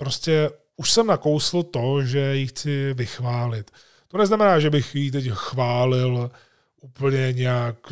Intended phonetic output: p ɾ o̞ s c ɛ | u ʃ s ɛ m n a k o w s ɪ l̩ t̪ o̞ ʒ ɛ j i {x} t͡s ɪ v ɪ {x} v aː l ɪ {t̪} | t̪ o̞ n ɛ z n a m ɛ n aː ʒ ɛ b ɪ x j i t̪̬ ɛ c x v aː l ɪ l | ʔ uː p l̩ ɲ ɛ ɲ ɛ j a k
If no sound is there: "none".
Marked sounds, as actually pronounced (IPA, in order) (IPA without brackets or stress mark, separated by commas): x, x, t̪